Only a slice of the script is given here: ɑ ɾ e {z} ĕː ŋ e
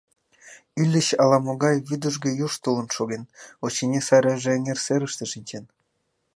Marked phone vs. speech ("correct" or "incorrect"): incorrect